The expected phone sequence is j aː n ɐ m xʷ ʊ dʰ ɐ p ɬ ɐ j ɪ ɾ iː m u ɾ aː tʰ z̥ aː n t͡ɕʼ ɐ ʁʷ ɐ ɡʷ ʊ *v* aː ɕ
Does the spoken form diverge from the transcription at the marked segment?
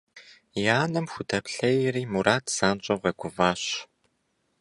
no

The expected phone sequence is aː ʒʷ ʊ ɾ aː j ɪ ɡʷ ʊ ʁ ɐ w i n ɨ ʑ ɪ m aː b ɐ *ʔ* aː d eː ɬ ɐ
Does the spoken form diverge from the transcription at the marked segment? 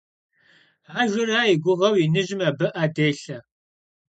no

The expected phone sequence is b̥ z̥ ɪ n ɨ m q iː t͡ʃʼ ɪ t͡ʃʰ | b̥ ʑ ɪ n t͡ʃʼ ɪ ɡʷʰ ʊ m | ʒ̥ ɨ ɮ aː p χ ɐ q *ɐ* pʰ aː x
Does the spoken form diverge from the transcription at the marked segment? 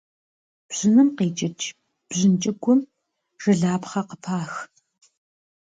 yes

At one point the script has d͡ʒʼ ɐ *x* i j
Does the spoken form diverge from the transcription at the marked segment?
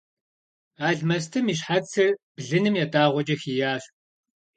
no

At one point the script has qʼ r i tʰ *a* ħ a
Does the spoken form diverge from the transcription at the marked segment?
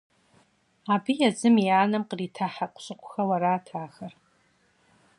no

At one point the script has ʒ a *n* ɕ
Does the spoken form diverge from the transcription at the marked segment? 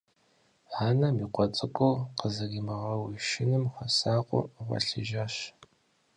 yes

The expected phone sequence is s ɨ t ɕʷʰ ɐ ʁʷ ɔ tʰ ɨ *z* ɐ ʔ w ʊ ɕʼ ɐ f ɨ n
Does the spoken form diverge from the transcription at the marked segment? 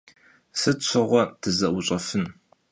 no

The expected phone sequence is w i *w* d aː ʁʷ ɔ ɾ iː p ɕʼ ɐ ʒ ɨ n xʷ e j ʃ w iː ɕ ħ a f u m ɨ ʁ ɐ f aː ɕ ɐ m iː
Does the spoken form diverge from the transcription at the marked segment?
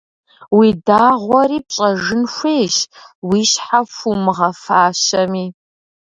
yes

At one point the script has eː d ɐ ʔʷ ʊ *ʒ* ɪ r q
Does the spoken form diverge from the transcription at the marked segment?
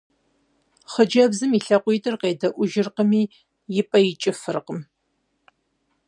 no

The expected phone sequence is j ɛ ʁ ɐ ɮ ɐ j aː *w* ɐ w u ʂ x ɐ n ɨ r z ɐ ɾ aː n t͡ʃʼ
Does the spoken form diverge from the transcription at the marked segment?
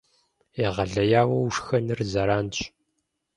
no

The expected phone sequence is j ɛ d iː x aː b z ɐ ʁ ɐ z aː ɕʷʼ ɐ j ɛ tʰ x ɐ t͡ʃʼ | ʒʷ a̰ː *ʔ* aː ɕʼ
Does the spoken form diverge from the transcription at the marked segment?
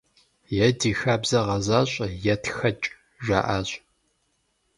no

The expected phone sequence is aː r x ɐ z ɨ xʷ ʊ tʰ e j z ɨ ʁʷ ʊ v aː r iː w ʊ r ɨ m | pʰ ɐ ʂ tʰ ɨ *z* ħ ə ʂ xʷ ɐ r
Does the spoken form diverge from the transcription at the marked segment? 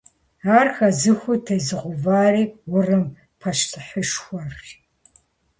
yes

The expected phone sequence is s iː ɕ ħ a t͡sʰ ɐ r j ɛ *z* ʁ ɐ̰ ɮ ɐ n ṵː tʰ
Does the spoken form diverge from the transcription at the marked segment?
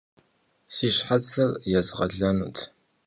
no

